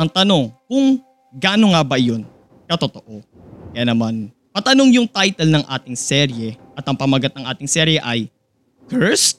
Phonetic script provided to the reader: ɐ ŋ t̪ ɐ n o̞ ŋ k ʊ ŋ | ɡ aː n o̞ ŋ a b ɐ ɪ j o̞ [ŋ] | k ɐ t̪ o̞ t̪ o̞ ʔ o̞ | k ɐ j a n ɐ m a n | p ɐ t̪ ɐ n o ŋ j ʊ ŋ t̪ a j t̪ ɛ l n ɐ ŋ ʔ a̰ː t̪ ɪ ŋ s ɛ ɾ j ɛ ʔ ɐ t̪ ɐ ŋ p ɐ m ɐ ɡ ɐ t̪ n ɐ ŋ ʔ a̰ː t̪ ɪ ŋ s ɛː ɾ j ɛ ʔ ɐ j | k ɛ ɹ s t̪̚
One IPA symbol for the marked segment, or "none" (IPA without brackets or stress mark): n